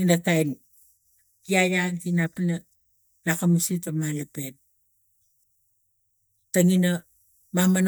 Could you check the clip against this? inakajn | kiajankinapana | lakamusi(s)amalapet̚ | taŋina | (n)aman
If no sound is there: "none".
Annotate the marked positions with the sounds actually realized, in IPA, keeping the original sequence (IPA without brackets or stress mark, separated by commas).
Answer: t, m